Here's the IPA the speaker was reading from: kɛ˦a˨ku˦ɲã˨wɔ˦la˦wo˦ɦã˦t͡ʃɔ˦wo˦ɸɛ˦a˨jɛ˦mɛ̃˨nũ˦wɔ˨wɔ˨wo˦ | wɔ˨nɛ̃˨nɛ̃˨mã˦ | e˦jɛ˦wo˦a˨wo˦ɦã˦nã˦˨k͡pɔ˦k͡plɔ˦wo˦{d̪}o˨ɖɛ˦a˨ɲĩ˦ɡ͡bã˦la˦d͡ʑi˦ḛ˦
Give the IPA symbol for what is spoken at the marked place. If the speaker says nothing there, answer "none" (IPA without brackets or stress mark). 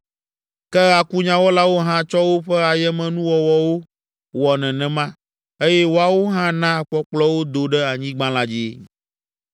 d̪